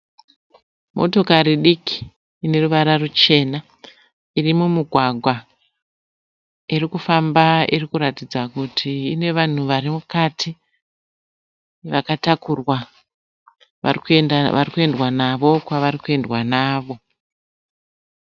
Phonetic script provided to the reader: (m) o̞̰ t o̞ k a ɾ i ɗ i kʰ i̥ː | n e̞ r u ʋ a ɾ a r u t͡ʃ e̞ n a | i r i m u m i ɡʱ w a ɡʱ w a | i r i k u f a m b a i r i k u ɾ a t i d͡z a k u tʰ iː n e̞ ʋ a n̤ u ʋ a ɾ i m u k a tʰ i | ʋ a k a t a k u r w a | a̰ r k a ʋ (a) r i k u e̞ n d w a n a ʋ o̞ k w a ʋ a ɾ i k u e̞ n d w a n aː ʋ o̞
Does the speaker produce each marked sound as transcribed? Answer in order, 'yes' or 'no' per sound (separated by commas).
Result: yes, yes